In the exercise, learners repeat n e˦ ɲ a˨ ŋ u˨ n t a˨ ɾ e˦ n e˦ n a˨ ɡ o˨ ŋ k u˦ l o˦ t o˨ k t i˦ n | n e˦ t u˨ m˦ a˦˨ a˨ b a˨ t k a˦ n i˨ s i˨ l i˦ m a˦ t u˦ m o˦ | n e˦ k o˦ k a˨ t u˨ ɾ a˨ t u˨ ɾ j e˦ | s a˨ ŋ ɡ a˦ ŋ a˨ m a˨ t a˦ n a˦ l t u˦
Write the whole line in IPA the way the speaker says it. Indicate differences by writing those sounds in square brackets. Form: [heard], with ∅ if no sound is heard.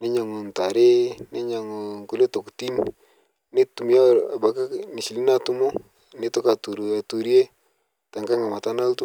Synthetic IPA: n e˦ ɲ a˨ ŋ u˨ n t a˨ ɾ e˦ n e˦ [ɲ] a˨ [ŋ] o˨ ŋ k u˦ l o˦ t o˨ k t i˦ n | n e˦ t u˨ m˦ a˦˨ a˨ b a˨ [∅] k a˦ n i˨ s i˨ l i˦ [n] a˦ t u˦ m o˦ | n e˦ [t] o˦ k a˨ t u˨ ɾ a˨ t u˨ ɾ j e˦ | [t] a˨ ŋ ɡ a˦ ŋ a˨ m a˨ t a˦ n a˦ l t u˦